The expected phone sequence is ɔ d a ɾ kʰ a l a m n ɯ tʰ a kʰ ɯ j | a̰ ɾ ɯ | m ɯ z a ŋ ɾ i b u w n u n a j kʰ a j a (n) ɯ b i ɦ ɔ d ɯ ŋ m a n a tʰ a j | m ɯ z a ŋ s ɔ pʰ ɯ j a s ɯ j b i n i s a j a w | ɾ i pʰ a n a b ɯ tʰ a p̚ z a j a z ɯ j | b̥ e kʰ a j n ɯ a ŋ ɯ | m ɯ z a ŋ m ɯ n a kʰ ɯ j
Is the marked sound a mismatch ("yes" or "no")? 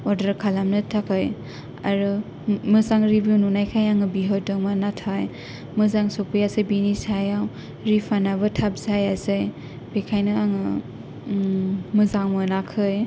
yes